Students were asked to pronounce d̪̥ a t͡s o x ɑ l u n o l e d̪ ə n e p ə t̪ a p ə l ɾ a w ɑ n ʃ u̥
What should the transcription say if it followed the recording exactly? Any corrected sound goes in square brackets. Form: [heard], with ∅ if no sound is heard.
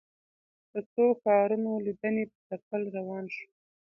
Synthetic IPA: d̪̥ [ə] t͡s o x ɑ [ɾ] u n o l [i] d̪ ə n e p ə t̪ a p ə l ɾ a w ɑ n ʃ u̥